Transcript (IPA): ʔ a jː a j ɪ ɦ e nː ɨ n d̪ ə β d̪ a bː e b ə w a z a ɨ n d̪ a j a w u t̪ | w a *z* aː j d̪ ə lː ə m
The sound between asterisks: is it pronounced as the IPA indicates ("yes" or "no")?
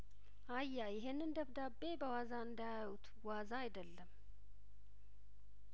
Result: yes